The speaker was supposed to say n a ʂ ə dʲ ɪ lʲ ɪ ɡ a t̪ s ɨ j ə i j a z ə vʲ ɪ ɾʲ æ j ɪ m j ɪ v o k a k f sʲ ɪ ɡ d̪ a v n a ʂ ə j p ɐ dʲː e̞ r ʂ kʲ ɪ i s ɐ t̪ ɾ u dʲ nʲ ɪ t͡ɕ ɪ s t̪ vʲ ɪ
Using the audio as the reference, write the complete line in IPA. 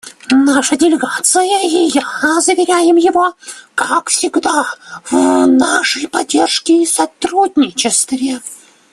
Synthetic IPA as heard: n a ʂ ə dʲ ɪ lʲ ɪ ɡ a t̪ s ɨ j ə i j a z ə vʲ ɪ ɾʲ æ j ɪ m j ɪ v o k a k f sʲ ɪ ɡ d̪ a v n a ʂ ə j p ɐ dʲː e̞ r ʂ kʲ ɪ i s ɐ t̪ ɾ u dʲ nʲ ɪ t͡ɕ ɪ s t̪ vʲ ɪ